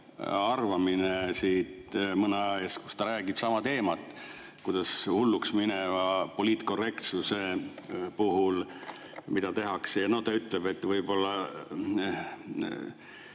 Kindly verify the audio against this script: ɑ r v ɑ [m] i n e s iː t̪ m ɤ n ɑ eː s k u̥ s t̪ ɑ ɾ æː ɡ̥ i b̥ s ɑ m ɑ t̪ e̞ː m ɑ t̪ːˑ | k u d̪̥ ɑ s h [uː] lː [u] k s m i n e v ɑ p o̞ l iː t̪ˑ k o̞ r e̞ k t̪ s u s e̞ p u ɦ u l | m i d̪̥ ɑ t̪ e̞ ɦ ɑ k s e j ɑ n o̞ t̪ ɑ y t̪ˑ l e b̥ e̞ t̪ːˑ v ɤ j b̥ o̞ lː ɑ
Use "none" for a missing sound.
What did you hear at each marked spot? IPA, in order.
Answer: m, u, u

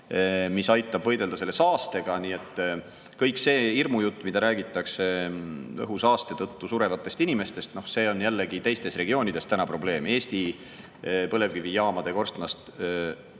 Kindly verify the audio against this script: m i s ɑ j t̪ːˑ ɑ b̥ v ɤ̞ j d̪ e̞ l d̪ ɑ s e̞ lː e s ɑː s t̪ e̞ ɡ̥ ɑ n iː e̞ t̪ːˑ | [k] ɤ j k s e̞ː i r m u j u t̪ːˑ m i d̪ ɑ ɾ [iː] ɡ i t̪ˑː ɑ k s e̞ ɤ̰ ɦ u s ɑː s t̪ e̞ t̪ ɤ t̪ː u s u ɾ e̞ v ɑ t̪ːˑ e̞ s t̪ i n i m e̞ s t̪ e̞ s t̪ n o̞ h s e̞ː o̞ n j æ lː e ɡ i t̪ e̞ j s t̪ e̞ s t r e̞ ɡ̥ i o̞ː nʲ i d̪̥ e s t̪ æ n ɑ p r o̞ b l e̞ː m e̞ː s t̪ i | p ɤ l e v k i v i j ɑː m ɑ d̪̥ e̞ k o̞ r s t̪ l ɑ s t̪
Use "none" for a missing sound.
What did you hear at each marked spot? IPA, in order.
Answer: k, æː

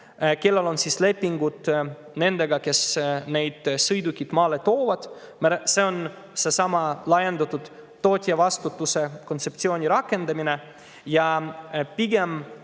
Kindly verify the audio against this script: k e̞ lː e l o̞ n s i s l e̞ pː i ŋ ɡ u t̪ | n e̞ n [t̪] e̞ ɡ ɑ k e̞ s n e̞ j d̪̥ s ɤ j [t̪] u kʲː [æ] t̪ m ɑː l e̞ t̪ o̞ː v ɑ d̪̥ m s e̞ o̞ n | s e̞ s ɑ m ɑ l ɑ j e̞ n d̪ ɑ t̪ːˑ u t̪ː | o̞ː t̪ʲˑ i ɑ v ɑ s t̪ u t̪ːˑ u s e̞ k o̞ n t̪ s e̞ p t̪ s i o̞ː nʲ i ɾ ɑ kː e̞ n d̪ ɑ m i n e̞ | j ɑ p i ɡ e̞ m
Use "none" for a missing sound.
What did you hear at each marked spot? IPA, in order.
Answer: d̪, d̪, i

